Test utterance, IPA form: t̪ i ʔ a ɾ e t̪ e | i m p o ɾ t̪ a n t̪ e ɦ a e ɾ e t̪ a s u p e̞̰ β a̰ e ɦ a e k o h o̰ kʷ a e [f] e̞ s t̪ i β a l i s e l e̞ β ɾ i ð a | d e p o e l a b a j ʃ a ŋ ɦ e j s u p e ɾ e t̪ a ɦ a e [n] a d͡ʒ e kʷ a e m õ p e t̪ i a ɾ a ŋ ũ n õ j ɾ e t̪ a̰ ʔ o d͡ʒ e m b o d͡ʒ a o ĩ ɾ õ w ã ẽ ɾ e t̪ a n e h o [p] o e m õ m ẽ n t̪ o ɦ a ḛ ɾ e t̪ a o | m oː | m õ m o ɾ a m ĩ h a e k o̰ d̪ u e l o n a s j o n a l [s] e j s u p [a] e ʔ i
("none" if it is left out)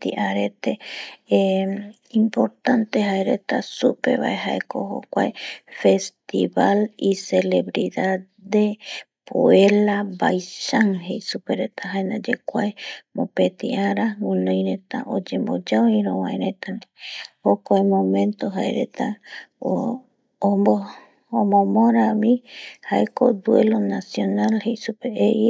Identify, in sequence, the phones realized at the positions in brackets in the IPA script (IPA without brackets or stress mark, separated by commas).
f, n, k, h, e